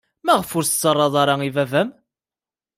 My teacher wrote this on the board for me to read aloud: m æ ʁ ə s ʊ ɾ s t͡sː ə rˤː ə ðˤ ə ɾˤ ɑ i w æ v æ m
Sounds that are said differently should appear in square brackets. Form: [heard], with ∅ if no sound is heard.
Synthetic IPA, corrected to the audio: m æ ʁ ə [f] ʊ ɾ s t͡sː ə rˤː [ɑ] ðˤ [ɑ] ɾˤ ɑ i [v] æ v æ m